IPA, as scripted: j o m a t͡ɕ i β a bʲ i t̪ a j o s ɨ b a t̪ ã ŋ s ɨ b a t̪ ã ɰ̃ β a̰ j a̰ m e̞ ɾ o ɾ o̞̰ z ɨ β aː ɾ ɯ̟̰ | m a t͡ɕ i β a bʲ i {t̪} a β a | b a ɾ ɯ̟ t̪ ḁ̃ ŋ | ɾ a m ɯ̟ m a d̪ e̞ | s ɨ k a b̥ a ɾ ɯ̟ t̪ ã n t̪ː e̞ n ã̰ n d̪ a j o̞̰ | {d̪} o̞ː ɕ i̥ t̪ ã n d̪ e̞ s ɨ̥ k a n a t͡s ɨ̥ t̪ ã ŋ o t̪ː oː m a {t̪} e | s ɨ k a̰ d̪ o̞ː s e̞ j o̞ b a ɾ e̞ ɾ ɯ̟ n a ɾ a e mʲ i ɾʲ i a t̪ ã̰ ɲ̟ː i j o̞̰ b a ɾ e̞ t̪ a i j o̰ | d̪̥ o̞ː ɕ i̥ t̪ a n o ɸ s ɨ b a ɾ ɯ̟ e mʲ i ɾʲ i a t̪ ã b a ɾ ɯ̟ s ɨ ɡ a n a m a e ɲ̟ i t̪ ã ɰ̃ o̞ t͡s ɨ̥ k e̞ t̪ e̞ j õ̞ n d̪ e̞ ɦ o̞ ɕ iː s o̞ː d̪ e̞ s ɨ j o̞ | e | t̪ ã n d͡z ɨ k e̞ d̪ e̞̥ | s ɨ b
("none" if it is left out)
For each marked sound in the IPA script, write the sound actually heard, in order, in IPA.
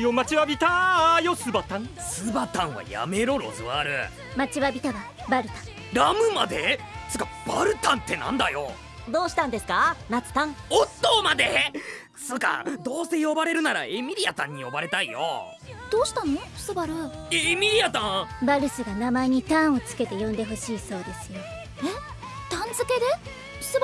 t̪, d̪, d̪

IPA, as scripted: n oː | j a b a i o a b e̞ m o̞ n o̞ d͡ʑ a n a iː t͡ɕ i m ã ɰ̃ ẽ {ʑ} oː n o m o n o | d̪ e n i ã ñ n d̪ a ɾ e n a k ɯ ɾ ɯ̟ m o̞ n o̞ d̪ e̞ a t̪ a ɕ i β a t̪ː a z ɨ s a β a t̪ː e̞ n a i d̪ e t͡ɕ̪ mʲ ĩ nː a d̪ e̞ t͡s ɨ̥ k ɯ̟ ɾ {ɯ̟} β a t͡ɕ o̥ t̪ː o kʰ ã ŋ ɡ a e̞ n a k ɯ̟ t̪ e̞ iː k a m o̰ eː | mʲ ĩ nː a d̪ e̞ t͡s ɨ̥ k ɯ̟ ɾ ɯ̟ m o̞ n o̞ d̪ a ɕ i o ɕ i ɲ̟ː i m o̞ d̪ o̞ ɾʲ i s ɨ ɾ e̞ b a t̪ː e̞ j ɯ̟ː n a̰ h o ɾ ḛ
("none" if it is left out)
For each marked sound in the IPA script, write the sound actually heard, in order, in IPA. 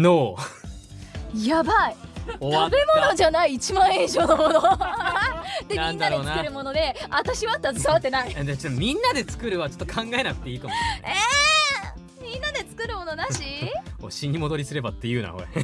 ʑ, ɯ̟

